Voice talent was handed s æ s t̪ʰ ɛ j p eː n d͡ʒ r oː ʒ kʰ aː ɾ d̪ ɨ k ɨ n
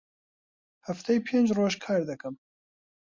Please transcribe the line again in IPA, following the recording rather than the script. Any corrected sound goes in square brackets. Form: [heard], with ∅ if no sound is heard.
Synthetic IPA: [h] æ [f] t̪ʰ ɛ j [pʰ] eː n d͡ʒ r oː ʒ kʰ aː ɾ d̪ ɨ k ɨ [m]